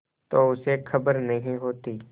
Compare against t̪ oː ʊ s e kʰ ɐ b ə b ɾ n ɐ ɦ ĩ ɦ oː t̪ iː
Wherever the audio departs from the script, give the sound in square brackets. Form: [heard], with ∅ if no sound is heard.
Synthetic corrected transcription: t̪ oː ʊ s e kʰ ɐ b ə [∅] ɾ n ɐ ɦ ĩ ɦ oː t̪ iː